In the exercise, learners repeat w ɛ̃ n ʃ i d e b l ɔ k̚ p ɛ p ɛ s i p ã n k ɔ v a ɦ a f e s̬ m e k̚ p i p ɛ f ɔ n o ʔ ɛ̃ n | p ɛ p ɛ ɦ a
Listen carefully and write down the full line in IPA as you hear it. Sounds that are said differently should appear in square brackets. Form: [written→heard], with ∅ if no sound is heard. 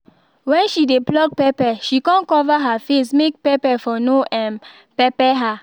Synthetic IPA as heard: w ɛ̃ n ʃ i d e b l ɔ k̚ p ɛ p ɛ [s→ʃ] i [p→k] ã n k ɔ v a ɦ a f e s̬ m e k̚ p [i→ɛ] p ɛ f ɔ n o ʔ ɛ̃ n | p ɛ p ɛ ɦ a

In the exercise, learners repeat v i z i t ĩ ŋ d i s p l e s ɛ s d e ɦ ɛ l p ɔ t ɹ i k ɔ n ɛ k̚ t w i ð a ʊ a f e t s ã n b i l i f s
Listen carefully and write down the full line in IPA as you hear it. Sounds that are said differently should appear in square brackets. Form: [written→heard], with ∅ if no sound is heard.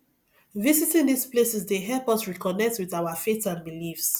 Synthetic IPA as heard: v i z i t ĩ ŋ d i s p l e s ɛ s d e ɦ ɛ l p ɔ [t→s] ɹ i k ɔ n ɛ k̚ t w i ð a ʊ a f e t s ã n b i l i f s

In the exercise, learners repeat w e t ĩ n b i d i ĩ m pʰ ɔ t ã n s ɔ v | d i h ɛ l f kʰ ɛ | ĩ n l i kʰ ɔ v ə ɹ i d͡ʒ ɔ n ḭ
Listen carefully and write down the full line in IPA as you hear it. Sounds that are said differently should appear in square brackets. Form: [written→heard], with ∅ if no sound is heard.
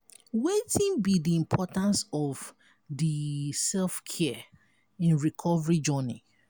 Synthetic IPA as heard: w e t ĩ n b i d i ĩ m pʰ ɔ t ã n s ɔ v | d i [h→s] ɛ l f kʰ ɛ | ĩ n [l→ɹ] i kʰ ɔ v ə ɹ i d͡ʒ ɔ n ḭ

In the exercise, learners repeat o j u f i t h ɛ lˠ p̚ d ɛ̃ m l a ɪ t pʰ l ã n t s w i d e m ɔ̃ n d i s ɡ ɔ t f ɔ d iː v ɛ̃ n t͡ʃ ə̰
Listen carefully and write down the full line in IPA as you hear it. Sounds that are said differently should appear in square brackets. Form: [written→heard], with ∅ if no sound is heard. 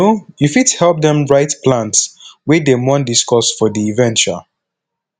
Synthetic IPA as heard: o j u f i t h ɛ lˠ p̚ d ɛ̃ m [l→ɹ] a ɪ t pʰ l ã n t s w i d e m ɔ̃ n d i s [ɡ→k] ɔ [t→s] f ɔ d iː v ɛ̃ n t͡ʃ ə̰

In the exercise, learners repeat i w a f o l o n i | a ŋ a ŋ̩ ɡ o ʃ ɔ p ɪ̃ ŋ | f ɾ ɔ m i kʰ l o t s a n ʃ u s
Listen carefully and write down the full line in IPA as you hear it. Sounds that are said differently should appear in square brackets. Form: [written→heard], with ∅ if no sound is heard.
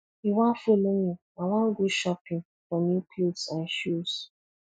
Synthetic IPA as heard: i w a f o l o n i | a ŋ a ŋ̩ ɡ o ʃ ɔ p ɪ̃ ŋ | f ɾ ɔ m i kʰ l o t s a n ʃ u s

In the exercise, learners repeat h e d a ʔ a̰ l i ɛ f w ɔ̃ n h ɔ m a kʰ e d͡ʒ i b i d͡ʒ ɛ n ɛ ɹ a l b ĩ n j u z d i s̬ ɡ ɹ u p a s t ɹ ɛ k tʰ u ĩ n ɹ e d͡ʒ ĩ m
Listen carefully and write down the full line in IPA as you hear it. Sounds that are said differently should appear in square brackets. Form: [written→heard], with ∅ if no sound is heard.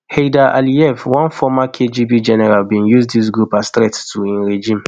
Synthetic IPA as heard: h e d a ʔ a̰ l i ɛ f w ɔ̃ n [h→f] ɔ m a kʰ e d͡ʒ i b i d͡ʒ ɛ n ɛ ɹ a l b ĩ n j u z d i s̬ ɡ ɹ u p a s t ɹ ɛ [k→t] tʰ u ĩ n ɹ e d͡ʒ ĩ m

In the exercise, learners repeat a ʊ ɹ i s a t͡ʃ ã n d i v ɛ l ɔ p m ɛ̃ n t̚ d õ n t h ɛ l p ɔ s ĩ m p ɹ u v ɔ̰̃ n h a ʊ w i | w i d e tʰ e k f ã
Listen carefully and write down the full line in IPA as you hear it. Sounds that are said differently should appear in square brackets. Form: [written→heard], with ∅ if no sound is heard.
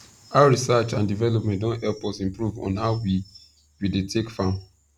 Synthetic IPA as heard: a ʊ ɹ i s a t͡ʃ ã n d i v ɛ l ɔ p m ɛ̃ n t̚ d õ n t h ɛ l p ɔ s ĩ m p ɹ u v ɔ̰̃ n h a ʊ w i | w i d e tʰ e k f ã

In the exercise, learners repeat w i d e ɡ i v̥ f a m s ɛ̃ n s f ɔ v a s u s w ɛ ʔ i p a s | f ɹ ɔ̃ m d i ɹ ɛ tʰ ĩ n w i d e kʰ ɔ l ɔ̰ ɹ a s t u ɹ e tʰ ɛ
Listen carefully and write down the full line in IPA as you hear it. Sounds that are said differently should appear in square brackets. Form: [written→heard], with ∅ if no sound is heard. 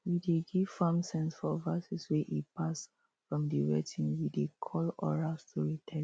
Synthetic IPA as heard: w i d e ɡ i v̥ f a m s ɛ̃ n s f ɔ v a s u s w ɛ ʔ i p a s | f ɹ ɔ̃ m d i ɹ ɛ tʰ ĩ n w i d e kʰ ɔ l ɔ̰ ɹ a s t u ɹ [e→i] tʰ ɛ

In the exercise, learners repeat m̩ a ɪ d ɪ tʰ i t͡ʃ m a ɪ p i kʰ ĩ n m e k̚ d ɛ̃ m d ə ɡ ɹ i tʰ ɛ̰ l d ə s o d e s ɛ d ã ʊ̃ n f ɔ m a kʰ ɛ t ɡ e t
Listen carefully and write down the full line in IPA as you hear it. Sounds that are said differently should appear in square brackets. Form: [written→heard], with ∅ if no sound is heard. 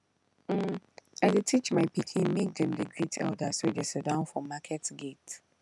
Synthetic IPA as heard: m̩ a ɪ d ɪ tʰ i t͡ʃ m a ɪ p i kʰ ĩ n m e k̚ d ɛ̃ m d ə ɡ ɹ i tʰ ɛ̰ l d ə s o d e s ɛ d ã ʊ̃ n f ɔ m a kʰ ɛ t ɡ e t

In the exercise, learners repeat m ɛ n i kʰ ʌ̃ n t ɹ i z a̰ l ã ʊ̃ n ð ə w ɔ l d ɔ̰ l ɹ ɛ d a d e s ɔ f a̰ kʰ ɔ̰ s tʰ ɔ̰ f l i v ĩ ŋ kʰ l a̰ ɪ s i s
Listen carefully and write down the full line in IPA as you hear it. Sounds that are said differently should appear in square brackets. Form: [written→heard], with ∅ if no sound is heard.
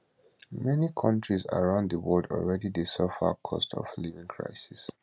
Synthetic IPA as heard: m ɛ n i kʰ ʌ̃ n t ɹ i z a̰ [l→ɹ] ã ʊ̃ n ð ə w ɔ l d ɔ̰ l ɹ ɛ d [a→i] d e s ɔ f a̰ kʰ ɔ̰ s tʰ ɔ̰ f l i v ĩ ŋ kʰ [l→ɹ] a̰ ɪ s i s

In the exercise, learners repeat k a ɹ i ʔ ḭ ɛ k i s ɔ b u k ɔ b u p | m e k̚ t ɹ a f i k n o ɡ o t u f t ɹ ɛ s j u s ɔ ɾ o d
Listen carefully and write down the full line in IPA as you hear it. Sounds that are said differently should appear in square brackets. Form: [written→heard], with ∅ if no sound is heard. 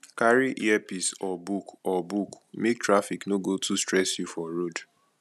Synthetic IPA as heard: k a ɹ i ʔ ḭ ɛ [k→p] i s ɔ b u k ɔ b u [p→k] | m e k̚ t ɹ a f i k n o ɡ o t u [f→s] t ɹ ɛ s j u [s→f] ɔ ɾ o d

